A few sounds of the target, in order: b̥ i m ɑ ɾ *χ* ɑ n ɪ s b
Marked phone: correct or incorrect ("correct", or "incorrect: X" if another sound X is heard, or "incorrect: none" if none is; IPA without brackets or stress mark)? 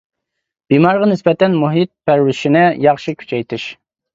incorrect: ʁ